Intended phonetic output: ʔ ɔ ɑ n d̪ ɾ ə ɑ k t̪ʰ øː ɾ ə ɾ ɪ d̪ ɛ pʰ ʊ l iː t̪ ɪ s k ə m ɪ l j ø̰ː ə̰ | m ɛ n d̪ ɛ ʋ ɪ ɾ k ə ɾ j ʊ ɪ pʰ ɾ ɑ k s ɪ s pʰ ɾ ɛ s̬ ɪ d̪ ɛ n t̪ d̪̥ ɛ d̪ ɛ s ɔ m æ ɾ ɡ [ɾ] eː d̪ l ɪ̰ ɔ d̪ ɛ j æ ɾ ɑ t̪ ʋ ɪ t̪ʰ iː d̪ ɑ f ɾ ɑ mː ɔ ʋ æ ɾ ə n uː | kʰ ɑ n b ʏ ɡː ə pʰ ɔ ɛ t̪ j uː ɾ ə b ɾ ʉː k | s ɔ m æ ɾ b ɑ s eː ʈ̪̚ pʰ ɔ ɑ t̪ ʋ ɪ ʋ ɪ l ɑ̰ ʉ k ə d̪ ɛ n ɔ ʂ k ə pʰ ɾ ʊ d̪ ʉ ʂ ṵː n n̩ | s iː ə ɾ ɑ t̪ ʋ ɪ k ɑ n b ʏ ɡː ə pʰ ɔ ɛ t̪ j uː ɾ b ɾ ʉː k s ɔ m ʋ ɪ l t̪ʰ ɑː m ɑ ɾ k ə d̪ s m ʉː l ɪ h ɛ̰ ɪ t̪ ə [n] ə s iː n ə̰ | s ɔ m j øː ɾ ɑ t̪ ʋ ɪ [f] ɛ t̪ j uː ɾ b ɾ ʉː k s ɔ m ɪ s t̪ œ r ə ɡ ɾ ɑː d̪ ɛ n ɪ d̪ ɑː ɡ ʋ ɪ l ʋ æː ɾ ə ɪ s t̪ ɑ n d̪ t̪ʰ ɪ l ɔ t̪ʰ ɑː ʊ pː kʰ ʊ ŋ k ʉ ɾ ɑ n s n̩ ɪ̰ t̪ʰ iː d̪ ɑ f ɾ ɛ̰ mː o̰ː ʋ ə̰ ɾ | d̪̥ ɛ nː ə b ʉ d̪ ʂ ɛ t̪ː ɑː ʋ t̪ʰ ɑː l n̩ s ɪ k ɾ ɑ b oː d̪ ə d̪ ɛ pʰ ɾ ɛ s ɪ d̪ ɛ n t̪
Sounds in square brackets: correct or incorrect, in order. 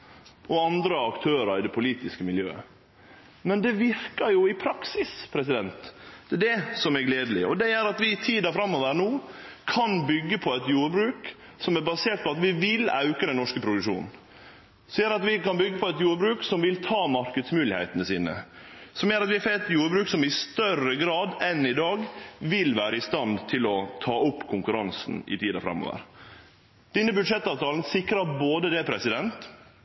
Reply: incorrect: l, correct, correct

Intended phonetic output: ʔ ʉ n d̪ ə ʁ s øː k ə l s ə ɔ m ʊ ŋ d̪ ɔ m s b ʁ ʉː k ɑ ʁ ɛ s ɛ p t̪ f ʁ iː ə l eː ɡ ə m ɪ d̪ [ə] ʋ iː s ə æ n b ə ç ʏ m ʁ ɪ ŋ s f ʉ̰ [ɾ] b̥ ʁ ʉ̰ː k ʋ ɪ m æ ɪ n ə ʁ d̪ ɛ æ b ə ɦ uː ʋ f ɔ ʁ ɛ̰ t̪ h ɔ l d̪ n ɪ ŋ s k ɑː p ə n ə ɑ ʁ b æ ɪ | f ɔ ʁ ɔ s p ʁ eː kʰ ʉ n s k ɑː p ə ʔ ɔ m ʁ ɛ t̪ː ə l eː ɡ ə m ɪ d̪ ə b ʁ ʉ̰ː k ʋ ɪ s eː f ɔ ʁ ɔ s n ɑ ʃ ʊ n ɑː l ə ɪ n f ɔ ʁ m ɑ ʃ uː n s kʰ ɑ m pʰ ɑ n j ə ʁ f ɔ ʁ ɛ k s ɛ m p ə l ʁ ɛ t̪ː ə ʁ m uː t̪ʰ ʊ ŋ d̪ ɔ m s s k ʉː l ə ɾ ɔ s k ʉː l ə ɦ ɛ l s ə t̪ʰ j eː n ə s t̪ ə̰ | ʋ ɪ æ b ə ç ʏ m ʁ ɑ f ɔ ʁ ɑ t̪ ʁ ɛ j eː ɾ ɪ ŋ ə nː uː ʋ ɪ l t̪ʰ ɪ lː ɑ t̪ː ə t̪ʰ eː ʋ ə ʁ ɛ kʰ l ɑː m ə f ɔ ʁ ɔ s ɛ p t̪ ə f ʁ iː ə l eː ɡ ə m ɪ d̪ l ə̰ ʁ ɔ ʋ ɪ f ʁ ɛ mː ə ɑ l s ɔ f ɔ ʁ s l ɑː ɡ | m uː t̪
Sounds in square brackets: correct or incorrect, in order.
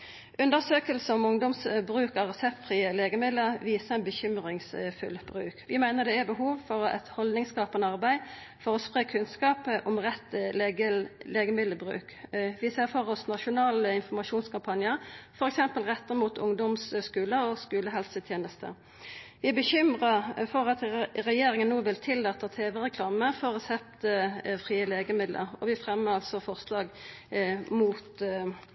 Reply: correct, incorrect: l

